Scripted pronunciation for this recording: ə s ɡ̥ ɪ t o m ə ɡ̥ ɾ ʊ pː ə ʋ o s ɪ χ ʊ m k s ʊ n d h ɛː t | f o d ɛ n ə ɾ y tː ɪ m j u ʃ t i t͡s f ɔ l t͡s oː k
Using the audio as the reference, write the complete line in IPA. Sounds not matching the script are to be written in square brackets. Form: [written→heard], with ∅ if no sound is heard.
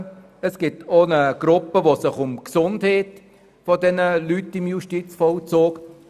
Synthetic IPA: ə s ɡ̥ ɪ t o [m→n] ə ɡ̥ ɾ ʊ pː ə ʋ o s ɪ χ ʊ m k s ʊ n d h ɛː t | f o d ɛ n ə [ɾ→l] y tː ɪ m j u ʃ t i t͡s f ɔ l t͡s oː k